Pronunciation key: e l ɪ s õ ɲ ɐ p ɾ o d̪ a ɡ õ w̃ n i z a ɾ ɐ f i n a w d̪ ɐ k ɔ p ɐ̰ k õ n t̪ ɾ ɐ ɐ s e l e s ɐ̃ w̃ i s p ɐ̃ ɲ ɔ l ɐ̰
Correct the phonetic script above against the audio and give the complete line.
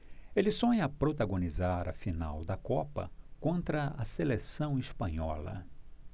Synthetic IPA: e l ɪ s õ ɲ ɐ p ɾ o t̪ a ɡ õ n i z a ɾ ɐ f i n a w d̪ ɐ k ɔ p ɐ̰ k õ n t̪ ɾ ɐ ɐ s e l e s ɐ̃ w̃ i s p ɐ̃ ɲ ɔ l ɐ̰